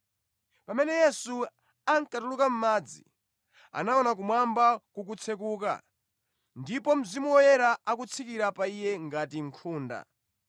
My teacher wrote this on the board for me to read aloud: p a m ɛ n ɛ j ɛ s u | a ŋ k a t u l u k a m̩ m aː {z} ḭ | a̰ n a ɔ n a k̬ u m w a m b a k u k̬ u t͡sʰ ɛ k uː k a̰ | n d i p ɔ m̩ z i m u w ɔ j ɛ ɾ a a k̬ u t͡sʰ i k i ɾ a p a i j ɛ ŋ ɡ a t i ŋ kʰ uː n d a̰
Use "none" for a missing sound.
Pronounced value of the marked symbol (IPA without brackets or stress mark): d͡z